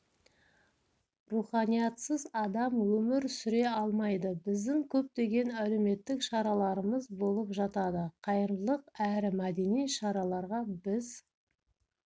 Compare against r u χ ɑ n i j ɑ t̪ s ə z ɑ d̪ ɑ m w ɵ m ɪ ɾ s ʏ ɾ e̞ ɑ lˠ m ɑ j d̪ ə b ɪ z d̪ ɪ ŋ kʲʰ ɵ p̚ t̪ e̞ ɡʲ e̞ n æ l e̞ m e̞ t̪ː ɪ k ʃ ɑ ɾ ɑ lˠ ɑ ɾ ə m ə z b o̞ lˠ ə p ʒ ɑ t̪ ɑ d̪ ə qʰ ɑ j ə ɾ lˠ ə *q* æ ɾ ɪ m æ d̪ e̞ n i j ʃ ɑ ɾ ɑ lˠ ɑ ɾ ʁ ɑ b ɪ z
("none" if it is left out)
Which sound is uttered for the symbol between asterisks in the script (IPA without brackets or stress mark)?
q